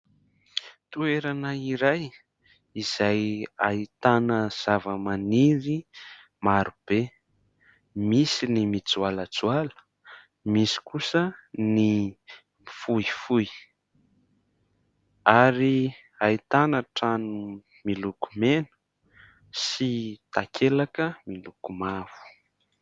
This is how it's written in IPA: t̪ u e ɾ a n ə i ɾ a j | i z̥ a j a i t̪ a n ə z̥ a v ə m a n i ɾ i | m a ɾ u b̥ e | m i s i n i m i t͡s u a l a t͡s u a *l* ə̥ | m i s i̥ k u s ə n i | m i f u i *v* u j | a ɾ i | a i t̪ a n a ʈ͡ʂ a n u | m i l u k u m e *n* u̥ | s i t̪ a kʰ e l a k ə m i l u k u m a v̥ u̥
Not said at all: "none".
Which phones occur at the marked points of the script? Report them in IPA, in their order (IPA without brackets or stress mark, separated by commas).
l, f, n